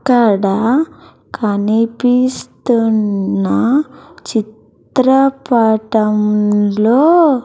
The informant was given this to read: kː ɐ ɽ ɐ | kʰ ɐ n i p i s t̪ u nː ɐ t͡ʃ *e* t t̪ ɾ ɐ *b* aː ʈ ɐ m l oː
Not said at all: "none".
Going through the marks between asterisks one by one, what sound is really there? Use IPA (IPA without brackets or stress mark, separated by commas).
i, p